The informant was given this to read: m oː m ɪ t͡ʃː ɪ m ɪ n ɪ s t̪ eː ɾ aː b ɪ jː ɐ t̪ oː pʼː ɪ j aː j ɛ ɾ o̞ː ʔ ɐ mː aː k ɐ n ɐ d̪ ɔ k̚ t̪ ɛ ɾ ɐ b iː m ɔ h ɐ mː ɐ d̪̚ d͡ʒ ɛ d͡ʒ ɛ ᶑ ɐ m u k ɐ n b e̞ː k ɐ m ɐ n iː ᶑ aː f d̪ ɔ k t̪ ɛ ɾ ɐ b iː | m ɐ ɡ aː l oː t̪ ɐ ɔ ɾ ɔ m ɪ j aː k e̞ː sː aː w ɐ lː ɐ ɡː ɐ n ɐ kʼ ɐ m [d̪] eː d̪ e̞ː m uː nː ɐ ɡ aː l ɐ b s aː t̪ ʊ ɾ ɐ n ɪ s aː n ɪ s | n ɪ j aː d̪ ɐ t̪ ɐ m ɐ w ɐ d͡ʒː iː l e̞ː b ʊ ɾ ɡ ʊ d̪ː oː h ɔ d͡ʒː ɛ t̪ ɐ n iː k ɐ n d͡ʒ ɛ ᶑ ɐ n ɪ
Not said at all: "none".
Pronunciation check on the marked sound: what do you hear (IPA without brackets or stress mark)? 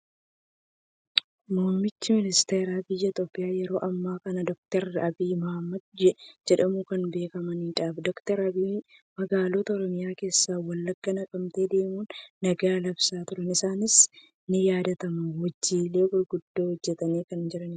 t̪